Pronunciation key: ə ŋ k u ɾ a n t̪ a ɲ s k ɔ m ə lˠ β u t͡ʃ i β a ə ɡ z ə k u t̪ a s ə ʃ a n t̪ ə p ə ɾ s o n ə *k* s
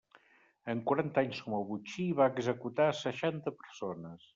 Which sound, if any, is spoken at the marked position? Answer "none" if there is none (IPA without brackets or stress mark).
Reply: none